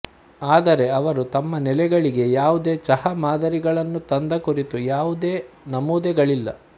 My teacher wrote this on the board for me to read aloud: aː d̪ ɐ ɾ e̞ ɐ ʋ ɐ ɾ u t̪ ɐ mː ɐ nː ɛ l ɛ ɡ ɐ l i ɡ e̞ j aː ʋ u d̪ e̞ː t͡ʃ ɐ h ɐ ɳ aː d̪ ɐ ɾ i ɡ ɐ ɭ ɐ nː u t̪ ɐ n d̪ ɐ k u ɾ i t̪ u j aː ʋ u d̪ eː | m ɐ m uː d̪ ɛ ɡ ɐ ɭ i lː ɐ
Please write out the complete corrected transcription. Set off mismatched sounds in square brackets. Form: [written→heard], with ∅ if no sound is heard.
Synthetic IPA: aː d̪ ɐ ɾ e̞ ɐ ʋ ɐ ɾ u t̪ ɐ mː ɐ [nː→n] ɛ l ɛ ɡ ɐ [l→ɭ] i ɡ e̞ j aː ʋ u d̪ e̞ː t͡ʃ ɐ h ɐ [ɳ→m] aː d̪ ɐ ɾ i ɡ ɐ ɭ ɐ nː u t̪ ɐ n d̪ ɐ k u ɾ i t̪ u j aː ʋ u d̪ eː | [m→n] ɐ m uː d̪ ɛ ɡ ɐ ɭ i lː ɐ